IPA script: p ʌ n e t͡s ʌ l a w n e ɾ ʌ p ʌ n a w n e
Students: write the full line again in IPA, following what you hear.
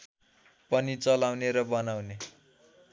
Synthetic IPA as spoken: p ʌ n i t͡s ʌ l a w n e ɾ ʌ b ʌ n a w n e